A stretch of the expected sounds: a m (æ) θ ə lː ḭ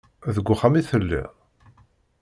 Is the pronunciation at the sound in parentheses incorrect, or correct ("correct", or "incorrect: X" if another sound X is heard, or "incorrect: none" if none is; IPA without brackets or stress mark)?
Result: incorrect: i